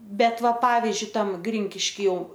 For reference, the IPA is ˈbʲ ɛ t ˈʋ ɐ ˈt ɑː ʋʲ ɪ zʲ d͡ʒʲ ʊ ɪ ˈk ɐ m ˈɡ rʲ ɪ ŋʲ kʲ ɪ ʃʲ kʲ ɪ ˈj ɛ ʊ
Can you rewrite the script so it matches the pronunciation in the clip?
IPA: ˈbʲ ɛ t ˈʋ ɐ ˈp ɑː ʋʲ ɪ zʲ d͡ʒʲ ʊ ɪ ˈt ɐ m ˈɡ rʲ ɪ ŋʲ kʲ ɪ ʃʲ kʲ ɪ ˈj ɛ ʊ